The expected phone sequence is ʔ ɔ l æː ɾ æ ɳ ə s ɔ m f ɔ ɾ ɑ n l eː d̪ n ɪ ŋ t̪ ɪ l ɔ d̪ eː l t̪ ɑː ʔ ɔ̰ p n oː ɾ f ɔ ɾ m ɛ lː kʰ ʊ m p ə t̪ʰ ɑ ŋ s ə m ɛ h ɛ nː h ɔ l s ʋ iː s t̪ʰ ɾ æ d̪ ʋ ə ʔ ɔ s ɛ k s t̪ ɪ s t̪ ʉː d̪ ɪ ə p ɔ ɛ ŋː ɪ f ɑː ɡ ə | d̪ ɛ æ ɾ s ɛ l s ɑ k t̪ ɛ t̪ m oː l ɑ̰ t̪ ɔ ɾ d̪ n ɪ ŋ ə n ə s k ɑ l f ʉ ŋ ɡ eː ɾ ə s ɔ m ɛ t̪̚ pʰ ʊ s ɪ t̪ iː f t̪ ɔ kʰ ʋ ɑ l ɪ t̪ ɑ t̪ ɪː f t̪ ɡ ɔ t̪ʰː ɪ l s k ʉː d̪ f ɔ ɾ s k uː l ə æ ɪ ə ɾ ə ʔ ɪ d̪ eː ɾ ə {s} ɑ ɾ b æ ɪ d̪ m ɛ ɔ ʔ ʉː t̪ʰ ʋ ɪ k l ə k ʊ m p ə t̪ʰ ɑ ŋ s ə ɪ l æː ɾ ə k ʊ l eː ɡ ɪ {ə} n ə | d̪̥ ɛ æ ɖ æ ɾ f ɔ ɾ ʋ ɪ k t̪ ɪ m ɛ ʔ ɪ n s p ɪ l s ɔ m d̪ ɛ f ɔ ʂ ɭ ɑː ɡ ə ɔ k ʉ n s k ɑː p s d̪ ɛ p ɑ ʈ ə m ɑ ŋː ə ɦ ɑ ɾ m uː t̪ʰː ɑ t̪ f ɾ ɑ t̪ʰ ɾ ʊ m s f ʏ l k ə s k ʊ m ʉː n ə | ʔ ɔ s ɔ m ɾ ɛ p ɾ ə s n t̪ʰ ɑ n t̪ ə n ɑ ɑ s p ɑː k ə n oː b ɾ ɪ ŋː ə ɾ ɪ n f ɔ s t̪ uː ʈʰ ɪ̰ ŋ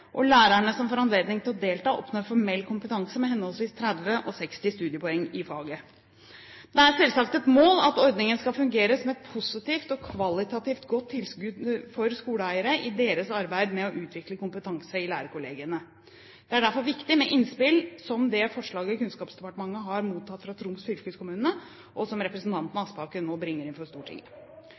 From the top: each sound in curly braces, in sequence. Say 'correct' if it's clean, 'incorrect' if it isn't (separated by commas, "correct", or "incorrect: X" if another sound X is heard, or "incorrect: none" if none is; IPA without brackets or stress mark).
correct, correct